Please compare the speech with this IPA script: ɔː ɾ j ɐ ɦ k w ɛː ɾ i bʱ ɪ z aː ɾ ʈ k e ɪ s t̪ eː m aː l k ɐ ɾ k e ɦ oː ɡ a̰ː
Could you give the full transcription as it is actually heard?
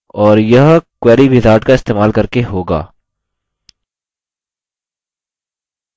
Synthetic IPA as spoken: ɔː ɾ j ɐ ɦ k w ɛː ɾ i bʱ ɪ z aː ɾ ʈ k a ɪ s t̪ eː m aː l k ɐ ɾ k e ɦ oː ɡ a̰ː